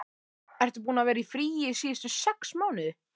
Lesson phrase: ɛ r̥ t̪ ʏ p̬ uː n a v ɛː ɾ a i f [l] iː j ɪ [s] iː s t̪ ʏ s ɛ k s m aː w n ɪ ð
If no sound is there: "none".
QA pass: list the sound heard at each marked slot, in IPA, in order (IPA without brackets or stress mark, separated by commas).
ɾ, s